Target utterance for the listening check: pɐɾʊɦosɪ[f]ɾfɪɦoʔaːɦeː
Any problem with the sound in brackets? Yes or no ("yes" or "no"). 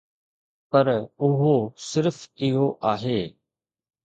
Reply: yes